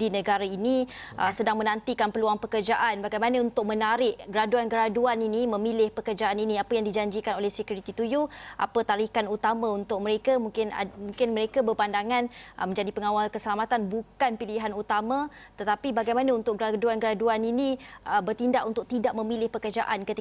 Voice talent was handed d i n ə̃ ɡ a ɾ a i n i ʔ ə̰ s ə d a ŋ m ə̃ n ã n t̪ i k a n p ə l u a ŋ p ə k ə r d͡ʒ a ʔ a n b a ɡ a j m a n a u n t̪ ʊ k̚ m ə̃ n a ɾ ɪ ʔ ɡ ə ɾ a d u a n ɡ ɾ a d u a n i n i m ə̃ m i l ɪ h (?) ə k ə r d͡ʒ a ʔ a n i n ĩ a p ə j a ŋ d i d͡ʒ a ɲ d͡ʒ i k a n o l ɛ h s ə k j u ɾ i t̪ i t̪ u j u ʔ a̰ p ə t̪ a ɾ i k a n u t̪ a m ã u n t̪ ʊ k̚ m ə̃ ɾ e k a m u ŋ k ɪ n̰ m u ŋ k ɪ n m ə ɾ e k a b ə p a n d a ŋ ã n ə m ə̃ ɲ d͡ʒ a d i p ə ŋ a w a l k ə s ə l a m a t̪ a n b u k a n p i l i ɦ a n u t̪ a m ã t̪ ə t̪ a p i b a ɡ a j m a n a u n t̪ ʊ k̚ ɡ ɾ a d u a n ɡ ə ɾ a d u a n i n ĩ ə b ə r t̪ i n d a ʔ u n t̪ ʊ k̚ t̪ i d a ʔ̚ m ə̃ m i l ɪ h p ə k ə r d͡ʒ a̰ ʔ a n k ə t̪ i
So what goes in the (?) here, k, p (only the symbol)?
p